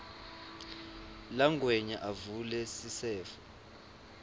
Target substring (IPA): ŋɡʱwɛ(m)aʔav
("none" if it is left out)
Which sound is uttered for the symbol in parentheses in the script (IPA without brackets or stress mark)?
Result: ɲ